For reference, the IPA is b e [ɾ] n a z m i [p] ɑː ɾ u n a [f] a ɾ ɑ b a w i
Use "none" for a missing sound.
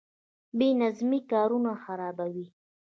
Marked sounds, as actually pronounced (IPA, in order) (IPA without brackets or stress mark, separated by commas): none, k, x